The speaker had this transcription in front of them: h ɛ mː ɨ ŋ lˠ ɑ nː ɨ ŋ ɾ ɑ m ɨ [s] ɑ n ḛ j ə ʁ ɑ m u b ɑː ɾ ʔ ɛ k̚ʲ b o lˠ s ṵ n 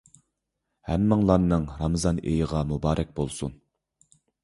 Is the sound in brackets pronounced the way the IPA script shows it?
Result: no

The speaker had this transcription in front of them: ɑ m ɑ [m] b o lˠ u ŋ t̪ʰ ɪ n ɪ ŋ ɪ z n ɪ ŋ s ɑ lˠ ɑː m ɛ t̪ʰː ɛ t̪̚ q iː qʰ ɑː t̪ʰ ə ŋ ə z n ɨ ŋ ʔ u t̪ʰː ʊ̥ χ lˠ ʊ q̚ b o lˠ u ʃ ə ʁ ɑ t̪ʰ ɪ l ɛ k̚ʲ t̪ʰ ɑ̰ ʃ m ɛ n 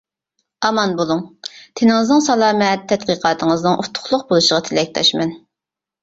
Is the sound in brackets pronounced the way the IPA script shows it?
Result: no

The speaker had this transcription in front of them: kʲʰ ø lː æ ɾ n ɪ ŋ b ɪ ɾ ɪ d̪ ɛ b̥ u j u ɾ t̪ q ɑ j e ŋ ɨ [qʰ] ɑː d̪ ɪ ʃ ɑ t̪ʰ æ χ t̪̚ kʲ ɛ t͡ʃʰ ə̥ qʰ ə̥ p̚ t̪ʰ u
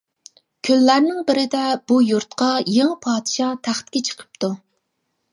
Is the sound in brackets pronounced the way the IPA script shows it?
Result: no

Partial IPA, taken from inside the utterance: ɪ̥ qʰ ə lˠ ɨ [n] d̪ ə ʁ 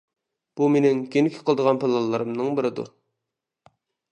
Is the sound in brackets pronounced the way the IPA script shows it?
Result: no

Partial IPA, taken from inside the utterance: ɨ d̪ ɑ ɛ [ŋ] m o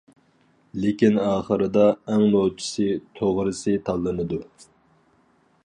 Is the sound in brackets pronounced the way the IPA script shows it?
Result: yes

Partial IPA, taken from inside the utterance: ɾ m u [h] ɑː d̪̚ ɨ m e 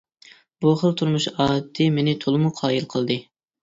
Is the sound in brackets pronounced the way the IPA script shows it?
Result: no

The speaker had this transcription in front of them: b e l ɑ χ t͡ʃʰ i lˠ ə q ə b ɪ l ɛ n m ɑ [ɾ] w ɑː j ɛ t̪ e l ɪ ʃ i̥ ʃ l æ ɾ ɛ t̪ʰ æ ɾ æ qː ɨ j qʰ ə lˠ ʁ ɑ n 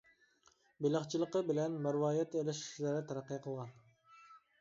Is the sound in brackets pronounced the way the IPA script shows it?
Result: yes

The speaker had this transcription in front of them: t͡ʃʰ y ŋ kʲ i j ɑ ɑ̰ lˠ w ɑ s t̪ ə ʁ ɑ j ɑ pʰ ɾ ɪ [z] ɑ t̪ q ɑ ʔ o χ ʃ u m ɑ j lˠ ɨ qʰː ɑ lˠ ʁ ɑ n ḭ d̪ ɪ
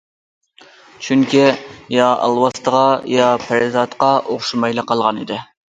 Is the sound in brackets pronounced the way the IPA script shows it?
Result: yes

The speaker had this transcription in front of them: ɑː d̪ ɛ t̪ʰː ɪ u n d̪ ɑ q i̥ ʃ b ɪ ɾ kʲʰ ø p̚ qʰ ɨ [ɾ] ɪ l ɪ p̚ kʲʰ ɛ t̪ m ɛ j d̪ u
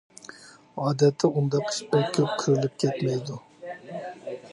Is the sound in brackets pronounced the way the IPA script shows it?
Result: yes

